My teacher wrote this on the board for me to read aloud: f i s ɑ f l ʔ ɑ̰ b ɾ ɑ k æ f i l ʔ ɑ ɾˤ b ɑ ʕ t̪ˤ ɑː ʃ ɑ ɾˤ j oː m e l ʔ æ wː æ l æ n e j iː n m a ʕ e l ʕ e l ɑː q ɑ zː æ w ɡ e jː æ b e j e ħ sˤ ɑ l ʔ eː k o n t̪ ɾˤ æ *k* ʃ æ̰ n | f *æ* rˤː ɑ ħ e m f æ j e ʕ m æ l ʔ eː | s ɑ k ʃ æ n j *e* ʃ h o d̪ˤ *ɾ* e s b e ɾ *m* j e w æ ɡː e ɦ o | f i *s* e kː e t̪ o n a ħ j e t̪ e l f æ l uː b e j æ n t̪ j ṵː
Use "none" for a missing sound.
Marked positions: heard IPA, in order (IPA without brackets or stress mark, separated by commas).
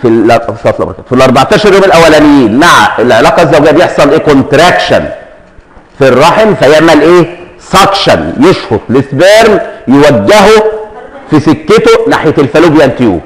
k, i, e, l, m, s